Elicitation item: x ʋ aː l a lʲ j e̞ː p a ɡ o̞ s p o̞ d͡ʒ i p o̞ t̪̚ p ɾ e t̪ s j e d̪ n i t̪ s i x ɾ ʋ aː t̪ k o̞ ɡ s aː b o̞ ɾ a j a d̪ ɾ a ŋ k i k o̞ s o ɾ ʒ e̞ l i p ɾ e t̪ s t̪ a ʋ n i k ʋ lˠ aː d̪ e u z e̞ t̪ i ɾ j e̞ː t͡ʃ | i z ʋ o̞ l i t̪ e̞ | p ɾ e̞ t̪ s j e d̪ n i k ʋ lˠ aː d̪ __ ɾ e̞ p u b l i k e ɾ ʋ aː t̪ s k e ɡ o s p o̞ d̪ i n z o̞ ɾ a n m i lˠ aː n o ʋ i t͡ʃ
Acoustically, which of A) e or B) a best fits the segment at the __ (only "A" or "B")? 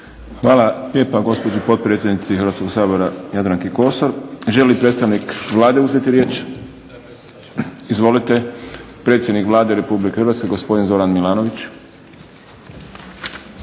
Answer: A